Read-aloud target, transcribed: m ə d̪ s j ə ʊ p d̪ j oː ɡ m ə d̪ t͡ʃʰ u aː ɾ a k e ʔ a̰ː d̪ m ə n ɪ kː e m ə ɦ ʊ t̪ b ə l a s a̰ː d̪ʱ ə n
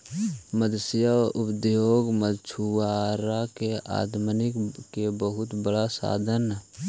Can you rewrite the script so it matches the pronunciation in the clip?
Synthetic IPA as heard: m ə d̪ s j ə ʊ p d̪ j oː ɡ m ə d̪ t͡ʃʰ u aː ɾ a k e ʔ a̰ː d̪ m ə n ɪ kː e b ə ɦ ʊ t̪ b ə ɽ a s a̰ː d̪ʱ ə n